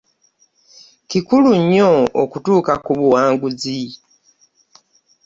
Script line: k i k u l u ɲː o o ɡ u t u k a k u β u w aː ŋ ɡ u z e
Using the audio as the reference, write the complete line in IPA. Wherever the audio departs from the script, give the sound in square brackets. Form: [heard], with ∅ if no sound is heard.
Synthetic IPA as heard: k i k u l u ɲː o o [k] u t [uː] k a k u β u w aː ŋ ɡ u z [i]